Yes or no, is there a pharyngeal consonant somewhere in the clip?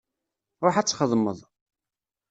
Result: yes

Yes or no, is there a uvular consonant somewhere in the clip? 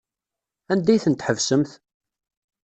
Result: no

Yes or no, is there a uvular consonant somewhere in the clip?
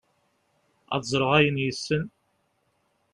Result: yes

